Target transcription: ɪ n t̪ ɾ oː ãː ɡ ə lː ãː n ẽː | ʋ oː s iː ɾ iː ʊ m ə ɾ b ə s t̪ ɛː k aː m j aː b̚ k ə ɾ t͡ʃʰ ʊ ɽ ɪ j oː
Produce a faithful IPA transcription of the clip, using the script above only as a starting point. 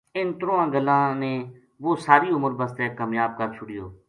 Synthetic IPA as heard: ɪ n t̪ ɾ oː ãː ɡ ə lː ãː n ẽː | ʋ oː s aː ɾ iː ʊ m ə ɾ b ə s t̪ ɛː k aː m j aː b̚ k ə ɾ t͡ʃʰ ʊ ɽ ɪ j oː

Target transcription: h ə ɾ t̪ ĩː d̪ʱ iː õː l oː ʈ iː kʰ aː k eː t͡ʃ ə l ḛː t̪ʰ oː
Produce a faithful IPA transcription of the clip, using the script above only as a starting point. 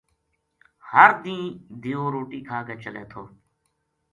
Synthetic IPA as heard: h ə ɾ d̪ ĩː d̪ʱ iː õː ɾ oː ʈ iː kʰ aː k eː t͡ʃ ə l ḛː t̪ʰ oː

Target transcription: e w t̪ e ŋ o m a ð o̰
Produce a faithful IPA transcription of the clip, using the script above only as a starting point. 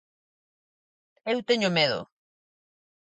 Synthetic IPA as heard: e w t̪ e ɲ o m e ð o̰

